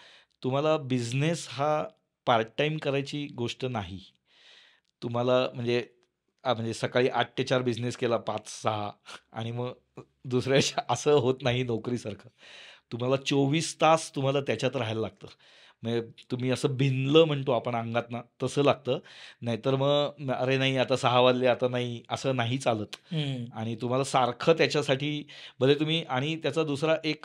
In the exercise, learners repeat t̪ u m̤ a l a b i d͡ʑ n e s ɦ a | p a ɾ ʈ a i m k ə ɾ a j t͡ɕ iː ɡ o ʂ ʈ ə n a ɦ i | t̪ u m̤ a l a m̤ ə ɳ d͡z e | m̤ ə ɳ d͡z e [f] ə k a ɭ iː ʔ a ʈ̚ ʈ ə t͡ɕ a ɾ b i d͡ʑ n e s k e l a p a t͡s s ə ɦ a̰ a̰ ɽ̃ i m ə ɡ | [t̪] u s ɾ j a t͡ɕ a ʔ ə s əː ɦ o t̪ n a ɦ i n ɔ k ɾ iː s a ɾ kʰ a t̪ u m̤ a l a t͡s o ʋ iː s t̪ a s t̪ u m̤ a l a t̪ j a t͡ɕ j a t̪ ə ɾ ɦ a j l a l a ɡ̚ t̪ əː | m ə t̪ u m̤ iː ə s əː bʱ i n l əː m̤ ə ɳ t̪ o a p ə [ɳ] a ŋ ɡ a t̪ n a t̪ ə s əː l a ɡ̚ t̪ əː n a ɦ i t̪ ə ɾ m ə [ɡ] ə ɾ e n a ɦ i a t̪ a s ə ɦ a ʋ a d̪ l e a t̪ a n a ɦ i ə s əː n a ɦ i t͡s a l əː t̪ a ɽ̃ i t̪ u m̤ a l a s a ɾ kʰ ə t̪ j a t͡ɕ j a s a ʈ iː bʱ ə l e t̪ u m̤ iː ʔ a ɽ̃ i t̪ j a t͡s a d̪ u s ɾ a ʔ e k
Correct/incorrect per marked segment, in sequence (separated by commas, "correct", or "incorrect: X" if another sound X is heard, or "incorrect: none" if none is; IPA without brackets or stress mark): incorrect: s, incorrect: d̪, correct, correct